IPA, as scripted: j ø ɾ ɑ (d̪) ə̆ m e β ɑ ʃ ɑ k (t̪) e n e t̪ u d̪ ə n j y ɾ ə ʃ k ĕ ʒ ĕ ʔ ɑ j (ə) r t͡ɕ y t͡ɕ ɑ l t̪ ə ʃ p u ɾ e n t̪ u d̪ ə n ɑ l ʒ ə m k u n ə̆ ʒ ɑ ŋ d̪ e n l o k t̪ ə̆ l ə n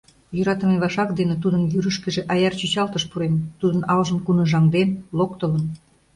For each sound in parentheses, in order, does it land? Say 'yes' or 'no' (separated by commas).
no, no, no